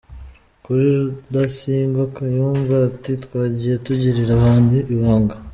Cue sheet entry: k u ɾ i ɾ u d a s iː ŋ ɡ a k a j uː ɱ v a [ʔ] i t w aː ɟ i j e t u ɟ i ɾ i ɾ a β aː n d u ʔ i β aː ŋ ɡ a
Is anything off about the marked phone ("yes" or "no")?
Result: yes